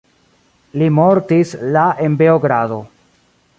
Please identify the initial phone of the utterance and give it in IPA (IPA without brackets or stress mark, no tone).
l